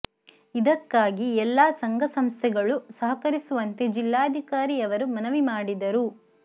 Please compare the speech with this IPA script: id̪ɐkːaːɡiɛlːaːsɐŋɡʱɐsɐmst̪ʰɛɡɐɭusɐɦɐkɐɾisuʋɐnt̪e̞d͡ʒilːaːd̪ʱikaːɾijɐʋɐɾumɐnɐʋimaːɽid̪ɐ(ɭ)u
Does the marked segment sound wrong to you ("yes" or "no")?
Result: yes